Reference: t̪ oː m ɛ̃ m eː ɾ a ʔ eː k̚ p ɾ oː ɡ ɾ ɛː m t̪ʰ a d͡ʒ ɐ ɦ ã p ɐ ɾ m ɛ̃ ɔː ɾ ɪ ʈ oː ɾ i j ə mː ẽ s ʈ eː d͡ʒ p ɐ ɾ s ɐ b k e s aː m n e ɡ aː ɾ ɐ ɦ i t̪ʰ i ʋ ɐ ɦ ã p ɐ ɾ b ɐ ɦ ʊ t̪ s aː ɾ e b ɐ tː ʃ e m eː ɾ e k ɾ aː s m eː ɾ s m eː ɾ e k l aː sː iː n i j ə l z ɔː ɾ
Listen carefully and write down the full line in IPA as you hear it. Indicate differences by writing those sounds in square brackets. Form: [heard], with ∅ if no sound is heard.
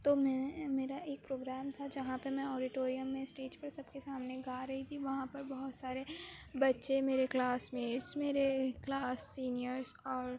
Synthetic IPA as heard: t̪ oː m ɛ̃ m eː ɾ a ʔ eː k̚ p ɾ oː ɡ ɾ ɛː m t̪ʰ a d͡ʒ ɐ ɦ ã p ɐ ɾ m ɛ̃ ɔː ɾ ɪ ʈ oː ɾ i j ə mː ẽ s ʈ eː d͡ʒ p ɐ ɾ s ɐ b k e s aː m n e ɡ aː ɾ ɐ ɦ i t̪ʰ i ʋ ɐ ɦ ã p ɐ ɾ b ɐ ɦ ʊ t̪ s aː ɾ e b ɐ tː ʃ e m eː ɾ e k [l] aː s m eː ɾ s m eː ɾ e k l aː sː iː n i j ə [ɾ] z ɔː ɾ

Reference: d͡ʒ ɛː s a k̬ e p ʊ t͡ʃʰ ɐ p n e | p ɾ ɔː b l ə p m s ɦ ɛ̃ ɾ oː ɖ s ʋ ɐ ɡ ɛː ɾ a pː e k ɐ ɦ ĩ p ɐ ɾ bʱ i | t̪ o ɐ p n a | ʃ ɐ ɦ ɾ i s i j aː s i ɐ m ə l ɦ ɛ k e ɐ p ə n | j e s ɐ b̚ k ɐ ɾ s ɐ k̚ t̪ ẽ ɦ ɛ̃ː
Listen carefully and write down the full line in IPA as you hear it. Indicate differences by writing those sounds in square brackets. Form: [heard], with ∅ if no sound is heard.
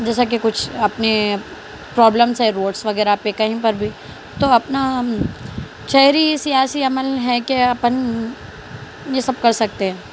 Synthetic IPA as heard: d͡ʒ ɛː s a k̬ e [k] ʊ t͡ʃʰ ɐ p n e | p ɾ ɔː b l ə [∅] m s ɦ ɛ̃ ɾ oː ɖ s ʋ ɐ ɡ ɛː ɾ a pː e k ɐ ɦ ĩ p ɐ ɾ bʱ i | t̪ o ɐ p n a | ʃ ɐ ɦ ɾ i s i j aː s i ɐ m ə l ɦ ɛ k e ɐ p ə n | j e s ɐ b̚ k ɐ ɾ s ɐ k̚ t̪ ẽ ɦ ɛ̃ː

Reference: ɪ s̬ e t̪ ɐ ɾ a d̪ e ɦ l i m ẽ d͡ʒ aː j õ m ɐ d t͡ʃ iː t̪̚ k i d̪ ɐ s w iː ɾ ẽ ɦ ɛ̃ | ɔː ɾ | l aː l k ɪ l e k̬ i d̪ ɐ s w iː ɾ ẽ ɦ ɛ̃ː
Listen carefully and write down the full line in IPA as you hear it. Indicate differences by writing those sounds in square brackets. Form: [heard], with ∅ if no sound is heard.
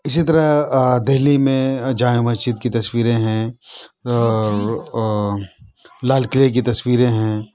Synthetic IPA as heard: ɪ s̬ [i] t̪ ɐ ɾ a d̪ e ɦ l i m ẽ d͡ʒ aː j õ m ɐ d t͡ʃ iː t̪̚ k i [t̪] ɐ s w iː ɾ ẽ ɦ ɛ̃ | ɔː ɾ | l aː l k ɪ l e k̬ i [t̪] ɐ s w iː ɾ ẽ ɦ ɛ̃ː

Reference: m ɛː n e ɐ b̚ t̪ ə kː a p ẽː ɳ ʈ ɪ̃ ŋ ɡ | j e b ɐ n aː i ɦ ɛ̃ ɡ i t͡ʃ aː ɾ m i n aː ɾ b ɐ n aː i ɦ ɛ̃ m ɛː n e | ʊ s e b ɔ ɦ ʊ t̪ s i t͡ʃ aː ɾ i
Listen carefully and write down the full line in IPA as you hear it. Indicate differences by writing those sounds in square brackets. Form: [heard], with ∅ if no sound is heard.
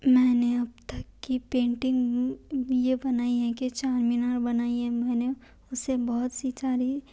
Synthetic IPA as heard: m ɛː n e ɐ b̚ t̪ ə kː [i] p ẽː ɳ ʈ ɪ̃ ŋ ɡ | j e b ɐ n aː i ɦ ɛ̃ [k] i t͡ʃ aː ɾ m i n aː ɾ b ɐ n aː i ɦ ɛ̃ m ɛː n e | ʊ s e b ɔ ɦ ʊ t̪ s i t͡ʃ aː ɾ i

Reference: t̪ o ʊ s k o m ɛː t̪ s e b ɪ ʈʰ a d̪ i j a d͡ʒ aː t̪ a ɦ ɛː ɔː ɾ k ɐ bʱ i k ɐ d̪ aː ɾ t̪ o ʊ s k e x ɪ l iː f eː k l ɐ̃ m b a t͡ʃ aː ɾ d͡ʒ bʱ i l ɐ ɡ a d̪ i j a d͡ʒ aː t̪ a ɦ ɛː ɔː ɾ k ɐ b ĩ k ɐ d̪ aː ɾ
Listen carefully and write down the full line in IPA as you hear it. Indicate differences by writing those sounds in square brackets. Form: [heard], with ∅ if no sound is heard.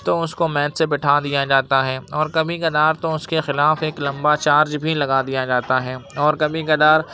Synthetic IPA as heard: t̪ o ʊ s k o m ɛː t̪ s e b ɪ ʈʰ a d̪ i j a d͡ʒ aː t̪ a ɦ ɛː ɔː ɾ k ɐ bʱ i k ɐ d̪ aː ɾ t̪ o ʊ s k e x ɪ l [aː] f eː k l ɐ̃ m b a t͡ʃ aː ɾ d͡ʒ bʱ i l ɐ ɡ a d̪ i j a d͡ʒ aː t̪ a ɦ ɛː ɔː ɾ k ɐ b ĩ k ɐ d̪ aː ɾ

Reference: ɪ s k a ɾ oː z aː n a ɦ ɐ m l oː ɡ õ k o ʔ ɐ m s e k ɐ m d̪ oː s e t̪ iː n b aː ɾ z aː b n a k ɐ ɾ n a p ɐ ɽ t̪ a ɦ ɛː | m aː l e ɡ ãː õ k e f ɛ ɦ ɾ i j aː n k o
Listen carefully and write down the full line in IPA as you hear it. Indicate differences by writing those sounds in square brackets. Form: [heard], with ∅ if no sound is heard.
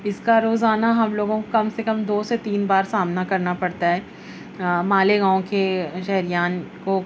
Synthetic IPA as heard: ɪ s k a ɾ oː z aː n a ɦ ɐ m l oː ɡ õ k o [k] ɐ m s e k ɐ m d̪ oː s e t̪ iː n b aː ɾ [s] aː [m] n a k ɐ ɾ n a p ɐ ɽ t̪ a ɦ ɛː | m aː l e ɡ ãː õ k e [ʃ] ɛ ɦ ɾ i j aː n k o

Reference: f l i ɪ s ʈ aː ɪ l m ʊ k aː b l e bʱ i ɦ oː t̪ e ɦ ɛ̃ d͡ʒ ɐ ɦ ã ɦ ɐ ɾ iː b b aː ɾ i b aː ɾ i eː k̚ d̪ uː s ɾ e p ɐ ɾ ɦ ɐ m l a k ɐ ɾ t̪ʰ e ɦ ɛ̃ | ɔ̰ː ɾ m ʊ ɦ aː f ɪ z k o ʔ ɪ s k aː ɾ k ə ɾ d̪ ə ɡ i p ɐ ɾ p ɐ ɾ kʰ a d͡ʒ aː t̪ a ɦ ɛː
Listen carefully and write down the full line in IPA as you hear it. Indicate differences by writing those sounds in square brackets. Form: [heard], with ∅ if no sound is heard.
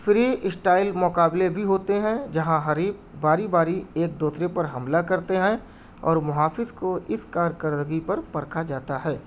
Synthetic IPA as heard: f [ɾ] i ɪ s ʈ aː ɪ l m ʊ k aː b l e bʱ i ɦ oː t̪ e ɦ ɛ̃ d͡ʒ ɐ ɦ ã ɦ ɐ ɾ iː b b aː ɾ i b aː ɾ i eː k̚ d̪ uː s ɾ e p ɐ ɾ ɦ ɐ m l a k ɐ ɾ [t̪] e ɦ ɛ̃ | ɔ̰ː ɾ m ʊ ɦ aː f ɪ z k o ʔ ɪ s k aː ɾ k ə ɾ d̪ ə ɡ i p ɐ ɾ p ɐ ɾ kʰ a d͡ʒ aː t̪ a ɦ ɛː

